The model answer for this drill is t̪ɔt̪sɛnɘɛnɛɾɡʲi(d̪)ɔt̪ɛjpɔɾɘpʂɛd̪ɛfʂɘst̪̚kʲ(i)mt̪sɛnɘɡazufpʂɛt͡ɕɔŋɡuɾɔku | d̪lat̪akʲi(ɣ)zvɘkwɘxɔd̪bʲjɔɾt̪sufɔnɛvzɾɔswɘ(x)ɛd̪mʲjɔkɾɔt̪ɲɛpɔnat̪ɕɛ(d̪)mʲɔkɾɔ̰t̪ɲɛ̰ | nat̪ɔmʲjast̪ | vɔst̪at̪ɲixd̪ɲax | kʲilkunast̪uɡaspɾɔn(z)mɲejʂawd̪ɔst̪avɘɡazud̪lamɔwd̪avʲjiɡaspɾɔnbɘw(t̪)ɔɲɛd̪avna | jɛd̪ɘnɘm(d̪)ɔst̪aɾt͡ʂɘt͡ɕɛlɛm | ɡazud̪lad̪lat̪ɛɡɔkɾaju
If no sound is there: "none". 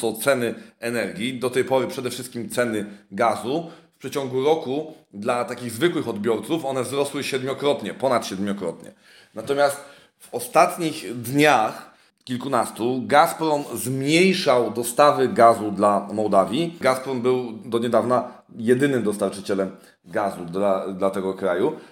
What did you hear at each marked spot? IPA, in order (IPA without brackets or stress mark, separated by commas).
d̪, i, ɣ, ɕ, d̪, z, d̪, d̪